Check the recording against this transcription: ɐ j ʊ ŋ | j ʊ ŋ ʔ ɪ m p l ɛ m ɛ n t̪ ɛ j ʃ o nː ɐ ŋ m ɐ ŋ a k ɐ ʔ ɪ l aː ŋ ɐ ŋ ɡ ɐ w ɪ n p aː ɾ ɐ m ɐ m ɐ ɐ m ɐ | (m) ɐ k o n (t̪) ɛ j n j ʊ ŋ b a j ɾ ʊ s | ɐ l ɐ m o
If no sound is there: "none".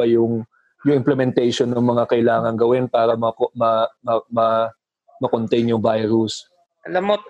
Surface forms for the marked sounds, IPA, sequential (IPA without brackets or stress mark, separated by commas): m, t̪